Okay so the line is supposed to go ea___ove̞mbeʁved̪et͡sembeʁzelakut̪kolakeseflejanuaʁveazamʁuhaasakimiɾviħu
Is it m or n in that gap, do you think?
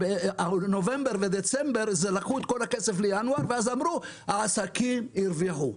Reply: n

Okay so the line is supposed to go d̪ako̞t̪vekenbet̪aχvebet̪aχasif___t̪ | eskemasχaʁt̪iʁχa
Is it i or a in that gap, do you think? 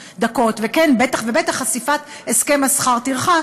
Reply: a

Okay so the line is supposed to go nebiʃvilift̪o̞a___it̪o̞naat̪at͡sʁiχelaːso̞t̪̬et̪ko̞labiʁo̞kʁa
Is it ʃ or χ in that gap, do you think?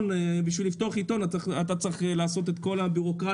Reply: χ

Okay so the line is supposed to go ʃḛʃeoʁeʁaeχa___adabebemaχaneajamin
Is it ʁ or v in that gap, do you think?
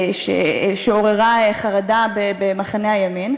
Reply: ʁ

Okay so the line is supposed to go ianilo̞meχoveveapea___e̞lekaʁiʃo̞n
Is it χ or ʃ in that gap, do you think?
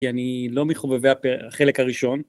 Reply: χ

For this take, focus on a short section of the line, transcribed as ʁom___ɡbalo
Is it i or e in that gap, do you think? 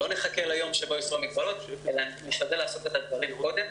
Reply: i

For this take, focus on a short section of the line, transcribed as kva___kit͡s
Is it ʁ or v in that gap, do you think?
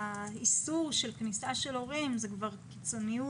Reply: ʁ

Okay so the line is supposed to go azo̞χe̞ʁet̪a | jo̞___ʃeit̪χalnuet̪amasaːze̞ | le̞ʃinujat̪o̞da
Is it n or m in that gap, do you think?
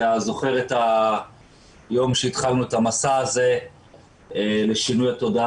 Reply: m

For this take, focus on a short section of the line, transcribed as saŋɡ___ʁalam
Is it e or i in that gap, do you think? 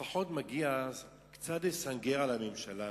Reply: e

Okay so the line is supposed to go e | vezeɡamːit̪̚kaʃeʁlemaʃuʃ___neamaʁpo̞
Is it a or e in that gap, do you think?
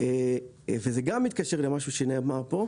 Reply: e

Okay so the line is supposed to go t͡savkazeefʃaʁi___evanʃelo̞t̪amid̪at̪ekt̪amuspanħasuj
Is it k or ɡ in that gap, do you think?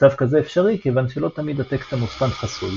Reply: k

